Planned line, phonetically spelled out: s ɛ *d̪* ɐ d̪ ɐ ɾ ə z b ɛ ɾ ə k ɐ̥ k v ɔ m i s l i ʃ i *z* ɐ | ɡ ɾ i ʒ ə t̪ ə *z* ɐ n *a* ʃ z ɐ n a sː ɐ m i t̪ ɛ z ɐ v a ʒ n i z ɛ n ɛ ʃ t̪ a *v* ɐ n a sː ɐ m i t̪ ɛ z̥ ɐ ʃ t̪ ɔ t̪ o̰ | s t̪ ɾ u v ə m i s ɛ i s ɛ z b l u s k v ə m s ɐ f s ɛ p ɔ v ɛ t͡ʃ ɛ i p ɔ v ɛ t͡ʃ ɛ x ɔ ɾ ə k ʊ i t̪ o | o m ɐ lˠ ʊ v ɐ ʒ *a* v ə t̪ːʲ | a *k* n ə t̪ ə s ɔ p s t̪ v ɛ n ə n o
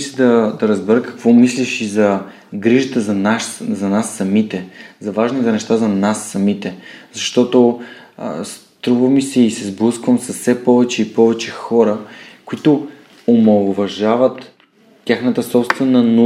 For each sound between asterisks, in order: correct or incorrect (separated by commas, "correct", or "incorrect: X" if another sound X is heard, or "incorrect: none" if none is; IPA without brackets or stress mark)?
correct, correct, correct, correct, incorrect: z, correct, incorrect: x